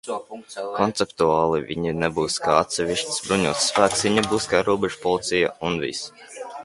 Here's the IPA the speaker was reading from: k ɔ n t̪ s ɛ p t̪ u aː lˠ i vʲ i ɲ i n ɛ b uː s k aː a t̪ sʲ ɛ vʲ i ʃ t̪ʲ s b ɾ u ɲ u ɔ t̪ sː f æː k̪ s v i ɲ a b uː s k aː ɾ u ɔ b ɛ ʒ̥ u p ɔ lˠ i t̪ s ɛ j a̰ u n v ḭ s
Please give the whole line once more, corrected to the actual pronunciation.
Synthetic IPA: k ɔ n t̪ s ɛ p t̪ u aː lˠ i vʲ i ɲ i n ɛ b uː s k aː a t̪ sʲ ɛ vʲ i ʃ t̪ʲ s b ɾ u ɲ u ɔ t̪ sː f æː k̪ s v i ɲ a b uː s k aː ɾ u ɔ b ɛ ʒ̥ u p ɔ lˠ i t̪ s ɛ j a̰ u n v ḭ s